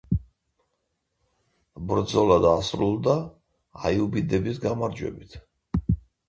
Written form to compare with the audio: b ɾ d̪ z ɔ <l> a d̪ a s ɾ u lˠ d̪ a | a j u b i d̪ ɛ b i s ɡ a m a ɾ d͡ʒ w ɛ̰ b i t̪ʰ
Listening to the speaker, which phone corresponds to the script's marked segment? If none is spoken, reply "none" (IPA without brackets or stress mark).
l